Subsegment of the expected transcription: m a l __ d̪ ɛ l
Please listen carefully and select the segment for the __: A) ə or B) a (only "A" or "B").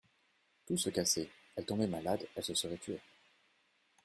B